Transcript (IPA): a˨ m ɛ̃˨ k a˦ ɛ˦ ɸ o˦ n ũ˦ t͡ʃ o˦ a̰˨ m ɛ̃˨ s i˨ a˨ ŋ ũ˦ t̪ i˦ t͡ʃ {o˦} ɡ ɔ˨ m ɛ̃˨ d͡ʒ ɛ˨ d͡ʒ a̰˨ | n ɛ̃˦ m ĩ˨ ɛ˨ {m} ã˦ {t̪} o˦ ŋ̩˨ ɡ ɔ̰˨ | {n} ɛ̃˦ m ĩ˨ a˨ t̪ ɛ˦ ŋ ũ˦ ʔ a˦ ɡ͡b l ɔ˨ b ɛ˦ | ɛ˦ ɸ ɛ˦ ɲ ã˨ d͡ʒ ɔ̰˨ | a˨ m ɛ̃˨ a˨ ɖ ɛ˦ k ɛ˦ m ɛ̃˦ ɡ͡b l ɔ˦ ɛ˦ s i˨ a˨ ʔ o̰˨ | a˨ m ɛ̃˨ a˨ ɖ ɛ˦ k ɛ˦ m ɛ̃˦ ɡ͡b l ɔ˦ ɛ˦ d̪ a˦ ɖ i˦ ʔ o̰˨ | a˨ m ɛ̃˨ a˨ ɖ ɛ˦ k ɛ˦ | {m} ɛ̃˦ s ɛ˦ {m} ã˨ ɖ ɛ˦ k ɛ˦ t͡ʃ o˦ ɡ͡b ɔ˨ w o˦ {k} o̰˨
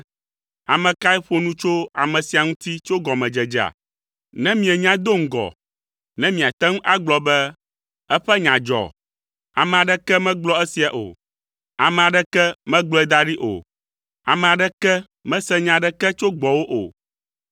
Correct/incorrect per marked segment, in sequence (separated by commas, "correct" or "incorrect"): correct, incorrect, incorrect, correct, correct, incorrect, incorrect